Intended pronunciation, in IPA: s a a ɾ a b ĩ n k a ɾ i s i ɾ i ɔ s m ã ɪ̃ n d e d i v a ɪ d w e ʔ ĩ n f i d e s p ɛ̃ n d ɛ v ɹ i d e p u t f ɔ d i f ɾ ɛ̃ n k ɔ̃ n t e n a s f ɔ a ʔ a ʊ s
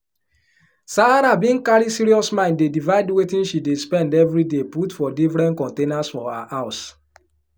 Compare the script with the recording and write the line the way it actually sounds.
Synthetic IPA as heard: s a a ɾ a b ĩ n k a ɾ i s i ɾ i ɔ s m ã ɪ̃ n d e d i v a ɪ d w e t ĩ n ʃ i d e s p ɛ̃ n d ɛ v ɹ i d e p u t f ɔ d i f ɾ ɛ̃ n k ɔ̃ n t e n a s f ɔ a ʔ a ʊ s